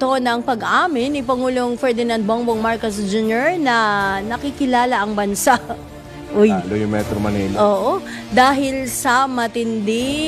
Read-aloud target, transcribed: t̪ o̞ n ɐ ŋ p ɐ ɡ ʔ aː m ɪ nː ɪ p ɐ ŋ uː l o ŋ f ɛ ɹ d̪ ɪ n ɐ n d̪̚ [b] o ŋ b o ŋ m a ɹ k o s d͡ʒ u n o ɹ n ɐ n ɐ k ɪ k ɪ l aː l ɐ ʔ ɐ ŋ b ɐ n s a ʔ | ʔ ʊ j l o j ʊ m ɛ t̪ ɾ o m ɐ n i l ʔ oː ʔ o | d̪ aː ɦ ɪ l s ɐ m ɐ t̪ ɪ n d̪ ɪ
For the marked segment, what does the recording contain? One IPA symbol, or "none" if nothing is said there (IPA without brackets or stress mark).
b